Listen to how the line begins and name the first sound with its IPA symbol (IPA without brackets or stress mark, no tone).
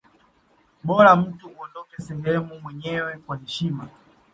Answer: ɓ